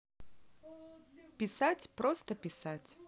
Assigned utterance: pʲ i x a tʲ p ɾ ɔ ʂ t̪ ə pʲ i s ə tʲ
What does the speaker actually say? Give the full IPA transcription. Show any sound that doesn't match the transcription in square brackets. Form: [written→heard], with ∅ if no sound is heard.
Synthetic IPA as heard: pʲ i [x→s] a tʲ p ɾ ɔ [ʂ→s] t̪ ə pʲ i s [ə→a] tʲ